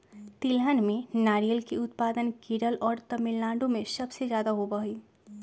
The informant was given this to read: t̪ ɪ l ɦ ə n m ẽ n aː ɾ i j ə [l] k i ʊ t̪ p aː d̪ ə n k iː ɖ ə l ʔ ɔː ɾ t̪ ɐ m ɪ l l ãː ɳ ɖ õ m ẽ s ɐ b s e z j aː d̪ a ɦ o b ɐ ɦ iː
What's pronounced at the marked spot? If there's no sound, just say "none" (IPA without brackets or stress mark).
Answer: l